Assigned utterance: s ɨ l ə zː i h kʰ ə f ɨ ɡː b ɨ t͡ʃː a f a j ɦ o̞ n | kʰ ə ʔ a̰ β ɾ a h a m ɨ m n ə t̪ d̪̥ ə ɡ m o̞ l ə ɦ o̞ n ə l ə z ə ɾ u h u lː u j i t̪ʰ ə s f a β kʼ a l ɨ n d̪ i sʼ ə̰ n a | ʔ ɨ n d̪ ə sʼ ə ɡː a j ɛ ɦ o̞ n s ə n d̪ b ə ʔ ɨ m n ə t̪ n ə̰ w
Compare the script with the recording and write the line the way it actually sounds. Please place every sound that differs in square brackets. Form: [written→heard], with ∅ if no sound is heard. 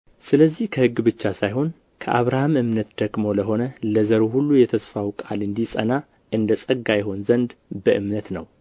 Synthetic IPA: s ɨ l ə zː i h kʰ ə [f→h] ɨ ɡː b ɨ t͡ʃː a [f→s] a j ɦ o̞ n | kʰ ə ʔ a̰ β ɾ a h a m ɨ m n ə t̪ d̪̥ ə ɡ m o̞ l ə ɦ o̞ n ə l ə z ə ɾ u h u lː u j [i→ɛ] t̪ʰ ə s f a [β→w] kʼ a l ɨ n d̪ i sʼ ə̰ n a | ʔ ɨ n d̪ ə sʼ ə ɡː a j ɛ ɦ o̞ n [s→z] ə n d̪ b ə ʔ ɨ m n ə t̪ n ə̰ w